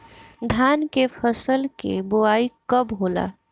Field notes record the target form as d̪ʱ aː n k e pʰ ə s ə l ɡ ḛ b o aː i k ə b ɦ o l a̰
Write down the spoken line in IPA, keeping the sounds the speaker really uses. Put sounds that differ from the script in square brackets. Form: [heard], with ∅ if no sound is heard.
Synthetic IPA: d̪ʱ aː n k e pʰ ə s ə l [k] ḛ b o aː i k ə b ɦ o l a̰